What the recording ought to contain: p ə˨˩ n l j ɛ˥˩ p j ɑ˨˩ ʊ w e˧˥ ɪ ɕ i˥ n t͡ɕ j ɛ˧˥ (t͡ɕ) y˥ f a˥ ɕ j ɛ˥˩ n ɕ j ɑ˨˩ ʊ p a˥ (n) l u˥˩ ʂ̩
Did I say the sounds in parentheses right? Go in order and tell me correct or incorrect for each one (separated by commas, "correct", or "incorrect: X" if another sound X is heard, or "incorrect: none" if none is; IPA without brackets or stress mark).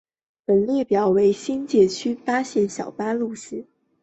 incorrect: t͡ɕʰ, incorrect: none